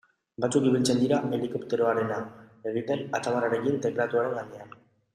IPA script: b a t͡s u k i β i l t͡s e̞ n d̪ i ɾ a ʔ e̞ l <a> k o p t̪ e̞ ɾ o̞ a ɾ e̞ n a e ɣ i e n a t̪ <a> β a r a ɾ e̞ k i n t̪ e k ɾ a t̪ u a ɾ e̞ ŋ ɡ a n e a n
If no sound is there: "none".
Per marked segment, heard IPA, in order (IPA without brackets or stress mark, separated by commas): i, a